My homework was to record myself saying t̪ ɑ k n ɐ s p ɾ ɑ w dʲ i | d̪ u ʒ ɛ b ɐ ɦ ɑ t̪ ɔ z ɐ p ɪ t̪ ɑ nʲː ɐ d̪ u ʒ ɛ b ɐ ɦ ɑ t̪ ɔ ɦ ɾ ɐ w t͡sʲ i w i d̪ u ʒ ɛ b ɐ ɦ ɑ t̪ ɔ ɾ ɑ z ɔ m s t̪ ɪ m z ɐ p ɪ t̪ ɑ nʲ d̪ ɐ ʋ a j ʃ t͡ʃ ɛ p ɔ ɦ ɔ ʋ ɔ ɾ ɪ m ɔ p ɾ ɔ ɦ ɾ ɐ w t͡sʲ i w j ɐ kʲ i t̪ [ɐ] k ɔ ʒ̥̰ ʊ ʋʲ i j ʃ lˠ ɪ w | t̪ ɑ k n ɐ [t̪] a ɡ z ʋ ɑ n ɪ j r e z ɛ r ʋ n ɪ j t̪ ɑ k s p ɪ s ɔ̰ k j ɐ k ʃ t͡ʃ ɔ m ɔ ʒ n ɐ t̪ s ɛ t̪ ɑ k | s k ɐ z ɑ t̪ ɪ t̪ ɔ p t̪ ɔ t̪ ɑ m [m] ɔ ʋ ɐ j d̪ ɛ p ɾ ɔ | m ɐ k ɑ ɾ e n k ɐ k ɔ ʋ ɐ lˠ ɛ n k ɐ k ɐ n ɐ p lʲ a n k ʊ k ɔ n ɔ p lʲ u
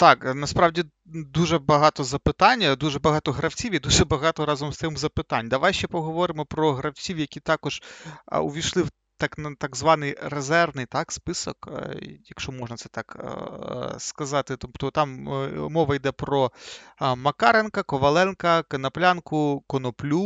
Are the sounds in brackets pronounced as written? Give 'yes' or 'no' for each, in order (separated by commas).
no, yes, yes